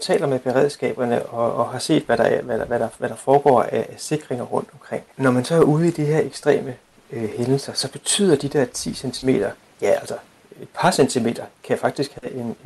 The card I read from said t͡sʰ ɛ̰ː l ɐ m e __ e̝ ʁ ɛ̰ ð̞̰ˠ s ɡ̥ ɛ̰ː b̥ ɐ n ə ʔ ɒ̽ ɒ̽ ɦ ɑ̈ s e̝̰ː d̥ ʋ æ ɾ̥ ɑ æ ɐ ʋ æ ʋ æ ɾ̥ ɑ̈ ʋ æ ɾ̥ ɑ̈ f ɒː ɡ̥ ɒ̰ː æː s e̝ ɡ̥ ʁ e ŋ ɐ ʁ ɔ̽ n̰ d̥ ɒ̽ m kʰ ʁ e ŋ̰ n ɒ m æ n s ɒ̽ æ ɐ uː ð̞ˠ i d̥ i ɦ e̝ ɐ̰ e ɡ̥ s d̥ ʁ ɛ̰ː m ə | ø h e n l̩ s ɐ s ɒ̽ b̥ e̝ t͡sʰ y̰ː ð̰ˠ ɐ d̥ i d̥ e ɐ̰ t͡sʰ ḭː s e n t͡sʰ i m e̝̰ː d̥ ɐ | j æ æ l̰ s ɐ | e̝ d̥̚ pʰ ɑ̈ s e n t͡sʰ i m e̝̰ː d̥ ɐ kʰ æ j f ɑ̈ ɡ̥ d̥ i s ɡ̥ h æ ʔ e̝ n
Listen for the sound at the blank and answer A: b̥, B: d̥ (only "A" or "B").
A